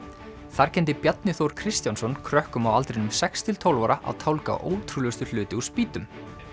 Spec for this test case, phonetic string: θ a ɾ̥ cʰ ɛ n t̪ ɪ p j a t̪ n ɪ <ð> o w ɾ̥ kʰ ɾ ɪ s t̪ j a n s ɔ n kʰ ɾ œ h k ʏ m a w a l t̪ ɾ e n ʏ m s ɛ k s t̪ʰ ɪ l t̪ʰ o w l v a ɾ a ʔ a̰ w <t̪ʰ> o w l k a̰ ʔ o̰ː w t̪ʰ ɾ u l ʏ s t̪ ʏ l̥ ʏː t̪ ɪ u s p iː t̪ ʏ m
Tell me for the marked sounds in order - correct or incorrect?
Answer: incorrect: θ, correct

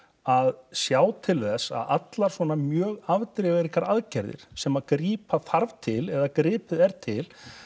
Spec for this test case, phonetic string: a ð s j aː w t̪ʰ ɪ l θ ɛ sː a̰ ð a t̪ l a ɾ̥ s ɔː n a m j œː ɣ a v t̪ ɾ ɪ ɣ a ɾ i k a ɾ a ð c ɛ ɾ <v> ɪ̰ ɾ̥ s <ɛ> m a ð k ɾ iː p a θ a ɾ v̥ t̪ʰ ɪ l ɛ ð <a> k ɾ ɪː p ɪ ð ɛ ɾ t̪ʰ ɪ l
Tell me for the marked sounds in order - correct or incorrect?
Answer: incorrect: ð, correct, correct

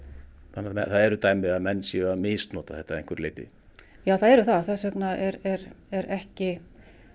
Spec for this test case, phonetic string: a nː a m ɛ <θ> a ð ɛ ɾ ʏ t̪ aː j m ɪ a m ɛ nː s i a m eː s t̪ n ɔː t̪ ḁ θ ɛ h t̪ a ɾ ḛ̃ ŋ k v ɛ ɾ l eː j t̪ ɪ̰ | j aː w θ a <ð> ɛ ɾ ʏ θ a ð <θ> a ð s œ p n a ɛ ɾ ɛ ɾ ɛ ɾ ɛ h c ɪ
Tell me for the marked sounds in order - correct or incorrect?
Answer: correct, correct, correct

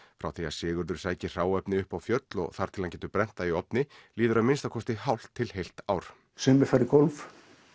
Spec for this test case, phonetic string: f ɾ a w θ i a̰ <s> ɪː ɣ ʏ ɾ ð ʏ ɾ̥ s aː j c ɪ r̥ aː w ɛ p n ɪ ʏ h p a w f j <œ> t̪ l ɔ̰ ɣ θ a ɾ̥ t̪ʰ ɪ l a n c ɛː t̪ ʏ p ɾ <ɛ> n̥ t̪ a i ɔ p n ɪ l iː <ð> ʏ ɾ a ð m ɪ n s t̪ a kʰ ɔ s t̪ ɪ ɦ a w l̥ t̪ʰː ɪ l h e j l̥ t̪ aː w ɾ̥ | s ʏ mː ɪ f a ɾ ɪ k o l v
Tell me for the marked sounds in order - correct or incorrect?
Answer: correct, correct, correct, correct

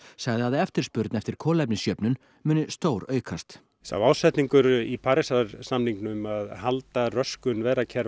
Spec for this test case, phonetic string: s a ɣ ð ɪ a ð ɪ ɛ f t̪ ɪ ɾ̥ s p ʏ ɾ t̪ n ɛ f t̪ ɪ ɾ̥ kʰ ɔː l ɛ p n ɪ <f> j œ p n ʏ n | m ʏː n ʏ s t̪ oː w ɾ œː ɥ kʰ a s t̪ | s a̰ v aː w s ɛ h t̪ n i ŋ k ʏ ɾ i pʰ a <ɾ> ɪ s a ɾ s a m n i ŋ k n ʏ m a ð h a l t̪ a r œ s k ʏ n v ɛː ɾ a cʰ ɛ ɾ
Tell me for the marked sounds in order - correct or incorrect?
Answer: incorrect: s, correct

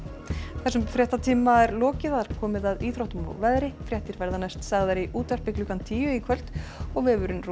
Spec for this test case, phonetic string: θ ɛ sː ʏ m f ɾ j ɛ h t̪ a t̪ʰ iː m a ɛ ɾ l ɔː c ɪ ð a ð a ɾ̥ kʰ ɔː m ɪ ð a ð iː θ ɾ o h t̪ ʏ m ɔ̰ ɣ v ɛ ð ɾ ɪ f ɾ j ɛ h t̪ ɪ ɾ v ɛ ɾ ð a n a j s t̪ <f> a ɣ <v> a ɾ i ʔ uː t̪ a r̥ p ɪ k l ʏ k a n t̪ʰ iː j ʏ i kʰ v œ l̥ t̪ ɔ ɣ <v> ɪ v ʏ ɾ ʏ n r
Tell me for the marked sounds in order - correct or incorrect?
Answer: incorrect: s, incorrect: ð, correct

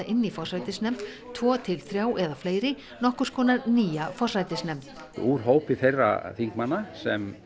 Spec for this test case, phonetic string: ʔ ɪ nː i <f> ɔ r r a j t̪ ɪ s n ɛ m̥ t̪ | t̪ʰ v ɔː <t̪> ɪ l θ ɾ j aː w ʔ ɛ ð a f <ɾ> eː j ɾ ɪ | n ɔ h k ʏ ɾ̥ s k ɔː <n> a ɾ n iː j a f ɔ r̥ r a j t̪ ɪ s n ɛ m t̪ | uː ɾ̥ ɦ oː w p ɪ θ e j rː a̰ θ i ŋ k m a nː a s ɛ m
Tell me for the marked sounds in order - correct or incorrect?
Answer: correct, incorrect: t̪ʰ, incorrect: l, correct

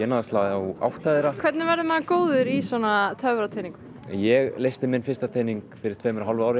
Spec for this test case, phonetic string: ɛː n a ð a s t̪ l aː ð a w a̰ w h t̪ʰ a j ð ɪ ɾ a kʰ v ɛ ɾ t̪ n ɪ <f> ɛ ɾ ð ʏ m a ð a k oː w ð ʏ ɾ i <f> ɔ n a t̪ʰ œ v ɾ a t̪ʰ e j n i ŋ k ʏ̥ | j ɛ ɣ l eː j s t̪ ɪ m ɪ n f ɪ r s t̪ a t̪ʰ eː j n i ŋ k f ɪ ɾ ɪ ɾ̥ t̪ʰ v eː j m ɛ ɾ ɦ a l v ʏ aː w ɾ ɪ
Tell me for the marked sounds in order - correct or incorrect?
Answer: incorrect: v, incorrect: s

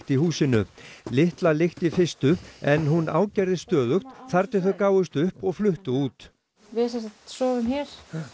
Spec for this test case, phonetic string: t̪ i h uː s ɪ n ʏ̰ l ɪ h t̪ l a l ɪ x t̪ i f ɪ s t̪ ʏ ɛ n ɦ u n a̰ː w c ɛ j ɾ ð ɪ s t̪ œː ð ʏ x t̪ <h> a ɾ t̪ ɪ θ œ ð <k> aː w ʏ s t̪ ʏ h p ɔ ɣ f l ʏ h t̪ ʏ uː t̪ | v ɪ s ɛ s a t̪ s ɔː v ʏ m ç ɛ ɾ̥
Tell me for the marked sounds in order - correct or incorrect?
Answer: incorrect: θ, correct

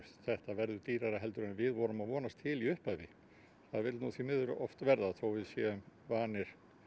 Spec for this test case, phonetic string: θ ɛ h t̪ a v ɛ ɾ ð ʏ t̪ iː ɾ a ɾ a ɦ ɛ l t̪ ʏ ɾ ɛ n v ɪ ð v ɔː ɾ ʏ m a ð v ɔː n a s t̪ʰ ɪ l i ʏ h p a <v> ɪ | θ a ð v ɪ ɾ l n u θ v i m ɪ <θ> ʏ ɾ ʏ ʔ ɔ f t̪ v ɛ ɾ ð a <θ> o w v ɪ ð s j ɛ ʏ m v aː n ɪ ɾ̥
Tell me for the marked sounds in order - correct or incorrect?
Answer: correct, incorrect: ð, correct

